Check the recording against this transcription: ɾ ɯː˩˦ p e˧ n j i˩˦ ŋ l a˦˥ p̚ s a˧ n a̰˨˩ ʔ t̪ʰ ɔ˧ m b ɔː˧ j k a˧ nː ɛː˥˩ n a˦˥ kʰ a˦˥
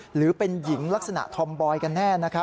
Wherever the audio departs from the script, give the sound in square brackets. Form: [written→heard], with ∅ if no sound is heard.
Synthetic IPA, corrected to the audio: ɾ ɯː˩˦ p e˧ n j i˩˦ ŋ l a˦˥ [p̚→k̚] s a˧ n a̰˨˩ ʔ t̪ʰ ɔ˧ m b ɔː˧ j k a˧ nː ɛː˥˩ n a˦˥ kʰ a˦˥

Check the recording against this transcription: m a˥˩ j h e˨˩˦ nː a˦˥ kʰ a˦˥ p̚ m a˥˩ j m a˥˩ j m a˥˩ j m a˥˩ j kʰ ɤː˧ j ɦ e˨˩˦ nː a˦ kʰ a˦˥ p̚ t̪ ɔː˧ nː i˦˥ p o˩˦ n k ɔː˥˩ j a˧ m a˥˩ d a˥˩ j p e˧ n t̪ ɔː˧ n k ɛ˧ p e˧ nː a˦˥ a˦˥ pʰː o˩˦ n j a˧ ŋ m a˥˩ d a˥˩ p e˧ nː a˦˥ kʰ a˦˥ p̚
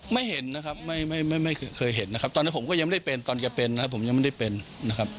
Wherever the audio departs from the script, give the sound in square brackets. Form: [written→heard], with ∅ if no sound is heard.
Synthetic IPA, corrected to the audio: m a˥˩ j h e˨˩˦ nː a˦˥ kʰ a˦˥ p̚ m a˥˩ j m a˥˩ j m a˥˩ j m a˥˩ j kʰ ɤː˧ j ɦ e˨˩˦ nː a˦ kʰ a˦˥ p̚ t̪ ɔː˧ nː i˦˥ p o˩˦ [n→m] k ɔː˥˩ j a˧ m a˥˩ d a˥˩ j p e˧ n t̪ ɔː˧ n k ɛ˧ p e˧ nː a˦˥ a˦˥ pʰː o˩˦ [n→m] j a˧ ŋ m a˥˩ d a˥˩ p e˧ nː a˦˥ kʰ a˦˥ p̚

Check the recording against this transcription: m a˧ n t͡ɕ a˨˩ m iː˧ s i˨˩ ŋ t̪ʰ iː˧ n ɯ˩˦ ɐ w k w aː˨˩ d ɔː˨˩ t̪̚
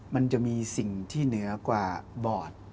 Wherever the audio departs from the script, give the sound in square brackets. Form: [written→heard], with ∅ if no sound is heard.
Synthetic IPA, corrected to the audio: m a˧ n t͡ɕ a˨˩ m iː˧ s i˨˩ ŋ t̪ʰ [iː˧→iː˥˩] n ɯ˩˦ ɐ [w→∅] k w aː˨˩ [d→b] ɔː˨˩ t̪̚

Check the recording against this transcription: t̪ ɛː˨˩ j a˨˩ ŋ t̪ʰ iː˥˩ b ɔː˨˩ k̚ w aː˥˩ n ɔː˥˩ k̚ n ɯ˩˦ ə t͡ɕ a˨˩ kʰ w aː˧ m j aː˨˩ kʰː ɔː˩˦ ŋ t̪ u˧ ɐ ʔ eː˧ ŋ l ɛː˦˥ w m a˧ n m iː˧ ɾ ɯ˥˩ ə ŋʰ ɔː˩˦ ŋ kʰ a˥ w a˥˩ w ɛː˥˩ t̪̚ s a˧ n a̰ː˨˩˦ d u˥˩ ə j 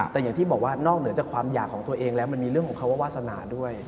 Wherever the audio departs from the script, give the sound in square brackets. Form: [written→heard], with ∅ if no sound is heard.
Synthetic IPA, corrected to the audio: t̪ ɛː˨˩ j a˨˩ ŋ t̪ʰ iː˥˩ b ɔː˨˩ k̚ w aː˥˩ n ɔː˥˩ k̚ n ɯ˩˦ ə t͡ɕ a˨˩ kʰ w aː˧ m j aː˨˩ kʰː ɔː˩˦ ŋ t̪ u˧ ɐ ʔ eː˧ ŋ l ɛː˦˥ w m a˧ n m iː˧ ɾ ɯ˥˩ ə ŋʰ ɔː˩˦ ŋ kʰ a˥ w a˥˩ w [ɛː˥˩→aː˥˩] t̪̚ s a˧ n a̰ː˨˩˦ d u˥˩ ə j

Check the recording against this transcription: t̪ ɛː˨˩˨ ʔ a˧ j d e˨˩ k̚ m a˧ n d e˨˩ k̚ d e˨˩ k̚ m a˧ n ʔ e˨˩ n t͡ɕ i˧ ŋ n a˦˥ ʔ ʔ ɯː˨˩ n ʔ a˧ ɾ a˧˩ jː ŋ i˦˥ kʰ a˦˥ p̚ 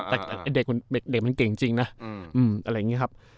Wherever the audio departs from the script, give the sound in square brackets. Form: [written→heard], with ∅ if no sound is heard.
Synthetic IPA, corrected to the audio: t̪ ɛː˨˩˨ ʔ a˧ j d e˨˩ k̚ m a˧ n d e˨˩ k̚ d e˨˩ k̚ m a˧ n [ʔ→k] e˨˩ [n→ŋ] t͡ɕ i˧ ŋ n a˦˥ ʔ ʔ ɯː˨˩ [n→m] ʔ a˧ ɾ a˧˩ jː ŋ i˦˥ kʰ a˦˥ p̚

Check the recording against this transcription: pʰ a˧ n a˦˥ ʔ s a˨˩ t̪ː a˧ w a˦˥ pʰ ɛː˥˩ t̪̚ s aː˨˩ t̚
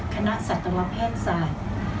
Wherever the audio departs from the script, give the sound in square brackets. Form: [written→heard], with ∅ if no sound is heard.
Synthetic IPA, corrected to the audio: [pʰ→kʰ] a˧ n a˦˥ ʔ s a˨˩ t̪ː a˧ w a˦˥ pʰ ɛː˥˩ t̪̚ s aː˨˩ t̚

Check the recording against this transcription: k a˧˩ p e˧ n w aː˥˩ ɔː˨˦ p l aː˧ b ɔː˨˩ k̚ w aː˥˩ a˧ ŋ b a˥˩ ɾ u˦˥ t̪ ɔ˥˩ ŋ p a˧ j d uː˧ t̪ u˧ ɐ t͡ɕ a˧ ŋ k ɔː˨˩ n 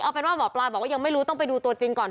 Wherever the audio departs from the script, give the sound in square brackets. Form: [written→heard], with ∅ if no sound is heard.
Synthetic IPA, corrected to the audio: [k→ʔ] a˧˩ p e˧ n w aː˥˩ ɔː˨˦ p l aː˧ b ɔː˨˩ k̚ w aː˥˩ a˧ ŋ [b→m] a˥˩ ɾ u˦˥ t̪ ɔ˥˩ ŋ p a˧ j d uː˧ t̪ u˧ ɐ t͡ɕ [a˧→i˧] ŋ k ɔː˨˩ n

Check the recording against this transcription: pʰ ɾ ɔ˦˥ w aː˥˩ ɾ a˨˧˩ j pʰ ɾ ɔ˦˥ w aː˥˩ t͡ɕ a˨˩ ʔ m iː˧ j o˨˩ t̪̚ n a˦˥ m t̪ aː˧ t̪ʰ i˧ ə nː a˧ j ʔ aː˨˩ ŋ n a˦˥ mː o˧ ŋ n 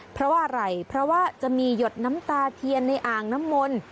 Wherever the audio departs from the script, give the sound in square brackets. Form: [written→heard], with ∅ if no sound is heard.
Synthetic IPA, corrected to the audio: pʰ ɾ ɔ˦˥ w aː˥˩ ɾ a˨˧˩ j pʰ ɾ ɔ˦˥ w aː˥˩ t͡ɕ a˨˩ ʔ m iː˧ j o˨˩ t̪̚ n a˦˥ m t̪ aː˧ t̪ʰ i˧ ə nː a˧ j ʔ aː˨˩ ŋ n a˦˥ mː o˧ [ŋ→∅] n

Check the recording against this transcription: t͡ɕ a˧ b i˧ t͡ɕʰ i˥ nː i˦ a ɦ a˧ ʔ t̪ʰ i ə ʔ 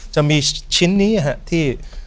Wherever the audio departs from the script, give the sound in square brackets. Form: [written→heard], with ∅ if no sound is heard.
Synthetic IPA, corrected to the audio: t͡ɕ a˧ [b→m] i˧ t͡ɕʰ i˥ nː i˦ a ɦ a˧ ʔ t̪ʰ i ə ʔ

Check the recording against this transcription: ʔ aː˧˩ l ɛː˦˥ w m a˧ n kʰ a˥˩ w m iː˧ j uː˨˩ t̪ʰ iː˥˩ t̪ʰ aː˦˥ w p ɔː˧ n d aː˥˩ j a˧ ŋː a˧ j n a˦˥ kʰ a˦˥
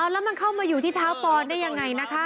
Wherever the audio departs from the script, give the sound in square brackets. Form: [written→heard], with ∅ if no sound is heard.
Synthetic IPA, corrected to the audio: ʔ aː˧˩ l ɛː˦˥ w m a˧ n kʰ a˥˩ w m [iː˧→aː˧] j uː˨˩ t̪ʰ iː˥˩ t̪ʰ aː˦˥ w p ɔː˧ n d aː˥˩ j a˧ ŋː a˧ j n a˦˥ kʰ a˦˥

